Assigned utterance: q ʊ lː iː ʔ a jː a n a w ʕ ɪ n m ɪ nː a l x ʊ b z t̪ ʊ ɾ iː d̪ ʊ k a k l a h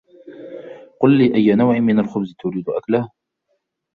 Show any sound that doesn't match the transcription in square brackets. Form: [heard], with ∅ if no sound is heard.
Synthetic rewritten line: q ʊ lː iː ʔ a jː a n a w ʕ ɪ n m ɪ [n] a l x ʊ b z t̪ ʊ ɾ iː d̪ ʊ [ʔ] a k l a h